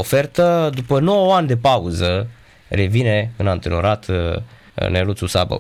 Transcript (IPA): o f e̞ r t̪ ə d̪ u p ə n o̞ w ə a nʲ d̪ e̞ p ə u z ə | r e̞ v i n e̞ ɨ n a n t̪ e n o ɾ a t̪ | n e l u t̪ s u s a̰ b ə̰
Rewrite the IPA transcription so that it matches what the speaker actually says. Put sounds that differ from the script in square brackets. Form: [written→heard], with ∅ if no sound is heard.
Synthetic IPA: o f e̞ r t̪ ə d̪ u p ə n o̞ w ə a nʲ d̪ e̞ p [ə→a] u z ə | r e̞ v i n e̞ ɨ n a n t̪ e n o ɾ a t̪ | n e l u t̪ s u s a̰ b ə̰